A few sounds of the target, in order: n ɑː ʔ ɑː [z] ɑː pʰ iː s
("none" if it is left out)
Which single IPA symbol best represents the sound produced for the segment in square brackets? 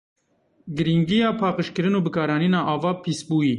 v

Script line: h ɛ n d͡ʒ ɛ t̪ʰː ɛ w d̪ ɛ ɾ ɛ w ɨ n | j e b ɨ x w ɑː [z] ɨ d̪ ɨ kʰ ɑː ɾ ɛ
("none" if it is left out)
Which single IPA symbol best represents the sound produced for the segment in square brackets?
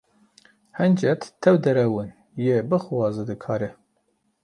z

